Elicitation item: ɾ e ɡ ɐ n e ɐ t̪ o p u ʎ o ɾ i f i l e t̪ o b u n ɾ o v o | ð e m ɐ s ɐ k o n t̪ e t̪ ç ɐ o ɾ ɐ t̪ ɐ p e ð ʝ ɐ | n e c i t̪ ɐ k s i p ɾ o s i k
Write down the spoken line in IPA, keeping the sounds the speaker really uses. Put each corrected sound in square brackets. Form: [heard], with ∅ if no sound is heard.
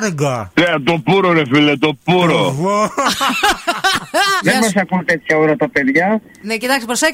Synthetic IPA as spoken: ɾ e ɡ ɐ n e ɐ t̪ o p u [ɾ] o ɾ [e] f i l e t̪ o [p] u [∅] ɾ o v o | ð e m ɐ s ɐ k [u] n t̪ e t̪ ç ɐ o ɾ ɐ t̪ ɐ p e ð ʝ ɐ | n e c i t̪ ɐ k s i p ɾ o s [e] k